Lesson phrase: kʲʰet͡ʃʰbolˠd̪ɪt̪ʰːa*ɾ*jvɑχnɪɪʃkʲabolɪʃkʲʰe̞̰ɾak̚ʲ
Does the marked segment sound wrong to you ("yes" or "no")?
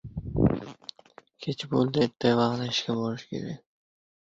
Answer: yes